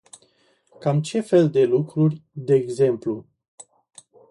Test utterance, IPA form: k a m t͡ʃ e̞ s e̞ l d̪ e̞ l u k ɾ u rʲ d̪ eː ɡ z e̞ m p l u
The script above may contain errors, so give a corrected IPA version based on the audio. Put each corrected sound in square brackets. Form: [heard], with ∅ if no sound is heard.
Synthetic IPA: k a m t͡ʃ e̞ [f] e̞ l d̪ e̞ l u k ɾ u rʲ d̪ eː ɡ z e̞ m p l u